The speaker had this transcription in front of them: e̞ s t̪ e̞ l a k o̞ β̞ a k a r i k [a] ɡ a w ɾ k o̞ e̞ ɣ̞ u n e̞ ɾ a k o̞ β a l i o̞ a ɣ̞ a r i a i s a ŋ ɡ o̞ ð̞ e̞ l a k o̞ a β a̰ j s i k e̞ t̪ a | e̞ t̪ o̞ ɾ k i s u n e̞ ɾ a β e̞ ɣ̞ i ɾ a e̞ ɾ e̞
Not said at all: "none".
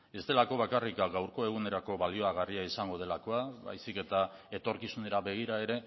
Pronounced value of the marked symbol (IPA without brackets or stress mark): a